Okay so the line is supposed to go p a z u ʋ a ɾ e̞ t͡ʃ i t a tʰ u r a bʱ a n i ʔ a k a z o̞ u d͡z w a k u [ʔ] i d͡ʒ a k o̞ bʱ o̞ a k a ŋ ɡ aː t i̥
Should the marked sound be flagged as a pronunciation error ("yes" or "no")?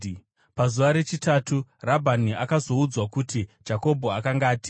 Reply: yes